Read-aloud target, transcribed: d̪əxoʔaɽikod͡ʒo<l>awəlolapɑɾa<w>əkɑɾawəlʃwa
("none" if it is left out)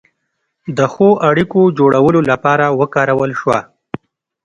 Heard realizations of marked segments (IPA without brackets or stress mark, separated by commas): ɽ, w